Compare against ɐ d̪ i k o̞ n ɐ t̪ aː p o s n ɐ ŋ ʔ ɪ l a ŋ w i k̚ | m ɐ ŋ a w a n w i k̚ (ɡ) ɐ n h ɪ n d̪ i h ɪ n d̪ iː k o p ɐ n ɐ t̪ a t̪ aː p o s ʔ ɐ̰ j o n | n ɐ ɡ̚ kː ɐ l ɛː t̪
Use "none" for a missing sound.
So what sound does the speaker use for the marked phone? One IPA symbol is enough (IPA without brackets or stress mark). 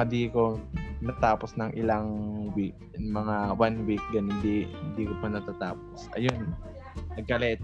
ɡ